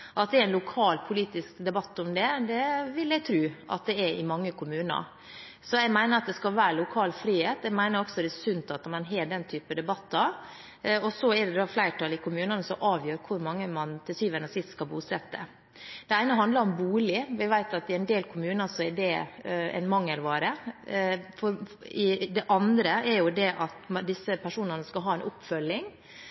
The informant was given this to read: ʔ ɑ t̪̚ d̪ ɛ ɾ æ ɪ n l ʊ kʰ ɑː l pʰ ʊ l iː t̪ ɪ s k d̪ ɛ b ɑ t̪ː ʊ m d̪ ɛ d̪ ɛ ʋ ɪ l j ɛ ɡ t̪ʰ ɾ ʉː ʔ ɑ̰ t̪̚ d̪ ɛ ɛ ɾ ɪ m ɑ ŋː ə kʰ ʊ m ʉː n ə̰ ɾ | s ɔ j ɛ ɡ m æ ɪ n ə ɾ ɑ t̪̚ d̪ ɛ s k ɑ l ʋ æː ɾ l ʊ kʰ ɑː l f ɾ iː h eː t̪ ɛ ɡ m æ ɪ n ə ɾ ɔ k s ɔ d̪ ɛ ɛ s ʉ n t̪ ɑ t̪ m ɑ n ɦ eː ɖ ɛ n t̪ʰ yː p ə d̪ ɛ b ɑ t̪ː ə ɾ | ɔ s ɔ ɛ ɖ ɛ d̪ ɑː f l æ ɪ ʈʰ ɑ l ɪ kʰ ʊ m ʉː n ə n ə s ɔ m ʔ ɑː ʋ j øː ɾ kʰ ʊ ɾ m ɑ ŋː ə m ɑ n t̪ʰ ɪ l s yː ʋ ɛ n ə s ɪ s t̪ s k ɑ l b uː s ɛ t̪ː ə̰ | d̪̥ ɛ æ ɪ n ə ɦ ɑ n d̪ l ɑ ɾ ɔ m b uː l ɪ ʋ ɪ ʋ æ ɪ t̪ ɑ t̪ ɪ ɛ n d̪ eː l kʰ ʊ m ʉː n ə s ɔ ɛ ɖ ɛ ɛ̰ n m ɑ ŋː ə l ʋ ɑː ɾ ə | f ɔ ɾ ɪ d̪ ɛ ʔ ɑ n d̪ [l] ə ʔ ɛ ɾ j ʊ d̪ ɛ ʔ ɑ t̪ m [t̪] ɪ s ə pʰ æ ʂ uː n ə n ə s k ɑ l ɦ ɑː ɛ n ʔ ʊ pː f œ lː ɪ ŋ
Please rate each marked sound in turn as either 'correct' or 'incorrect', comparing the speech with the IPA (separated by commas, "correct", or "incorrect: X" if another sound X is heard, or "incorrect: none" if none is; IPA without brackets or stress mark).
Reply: incorrect: ɾ, incorrect: d̪